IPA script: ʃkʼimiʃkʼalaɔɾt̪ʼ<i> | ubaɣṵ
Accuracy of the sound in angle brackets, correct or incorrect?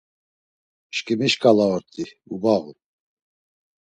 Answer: correct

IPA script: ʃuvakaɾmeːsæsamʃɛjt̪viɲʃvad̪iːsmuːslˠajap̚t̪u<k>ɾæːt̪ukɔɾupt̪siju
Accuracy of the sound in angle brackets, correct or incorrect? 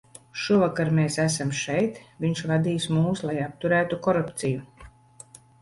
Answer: incorrect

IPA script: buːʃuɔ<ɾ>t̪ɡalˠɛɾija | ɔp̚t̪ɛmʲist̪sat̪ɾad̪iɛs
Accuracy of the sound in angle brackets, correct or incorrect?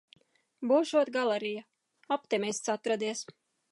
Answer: incorrect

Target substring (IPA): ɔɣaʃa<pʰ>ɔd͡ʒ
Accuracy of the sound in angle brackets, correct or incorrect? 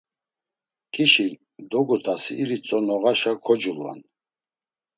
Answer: incorrect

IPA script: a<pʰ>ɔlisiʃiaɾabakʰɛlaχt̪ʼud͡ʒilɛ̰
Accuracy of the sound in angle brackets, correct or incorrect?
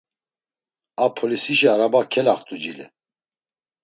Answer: correct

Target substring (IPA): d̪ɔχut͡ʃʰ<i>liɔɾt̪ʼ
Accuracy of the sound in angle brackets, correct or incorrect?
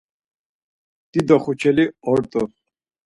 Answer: incorrect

